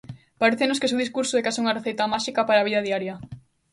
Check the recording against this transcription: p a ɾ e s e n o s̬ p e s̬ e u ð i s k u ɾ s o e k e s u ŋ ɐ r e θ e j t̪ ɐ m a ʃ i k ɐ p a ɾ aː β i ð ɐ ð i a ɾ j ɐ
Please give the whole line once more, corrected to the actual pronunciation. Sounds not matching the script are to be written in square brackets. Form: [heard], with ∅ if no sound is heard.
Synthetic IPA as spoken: p a ɾ e [θ] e n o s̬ [k] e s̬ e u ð i s k u ɾ s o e k [a] s u ŋ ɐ r e θ e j t̪ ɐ m a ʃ i k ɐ p a ɾ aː β i ð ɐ ð i a ɾ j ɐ